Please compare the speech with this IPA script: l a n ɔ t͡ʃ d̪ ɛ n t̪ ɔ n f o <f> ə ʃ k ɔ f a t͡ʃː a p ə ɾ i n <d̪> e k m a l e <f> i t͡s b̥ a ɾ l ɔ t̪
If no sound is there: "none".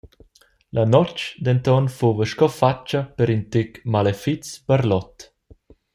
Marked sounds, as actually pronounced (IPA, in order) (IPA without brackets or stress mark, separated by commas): v, t̪, f